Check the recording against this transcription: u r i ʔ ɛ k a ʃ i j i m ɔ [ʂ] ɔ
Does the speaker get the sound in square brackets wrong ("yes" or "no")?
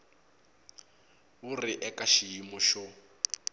yes